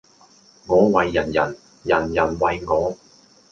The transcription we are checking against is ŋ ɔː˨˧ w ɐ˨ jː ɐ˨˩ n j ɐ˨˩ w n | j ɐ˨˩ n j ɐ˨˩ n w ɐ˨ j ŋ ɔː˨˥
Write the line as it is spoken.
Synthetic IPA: ŋ ɔː˨˧ w ɐ˨ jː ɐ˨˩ n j ɐ˨˩ n | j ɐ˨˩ n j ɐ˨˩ n w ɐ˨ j ŋ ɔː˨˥